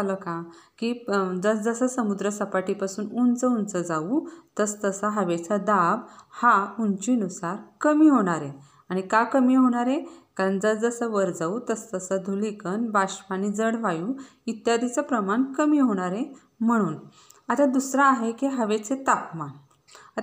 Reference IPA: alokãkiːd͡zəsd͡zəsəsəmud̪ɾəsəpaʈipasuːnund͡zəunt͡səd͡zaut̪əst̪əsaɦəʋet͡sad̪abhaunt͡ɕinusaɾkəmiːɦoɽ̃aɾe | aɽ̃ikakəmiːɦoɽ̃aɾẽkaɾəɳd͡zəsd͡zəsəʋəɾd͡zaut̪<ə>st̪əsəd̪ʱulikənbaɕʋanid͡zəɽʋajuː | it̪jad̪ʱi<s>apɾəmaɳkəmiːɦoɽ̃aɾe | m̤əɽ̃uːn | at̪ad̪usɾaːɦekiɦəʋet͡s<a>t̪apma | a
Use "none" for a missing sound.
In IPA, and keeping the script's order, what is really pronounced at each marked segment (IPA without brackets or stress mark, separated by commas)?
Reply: ə, t͡s, e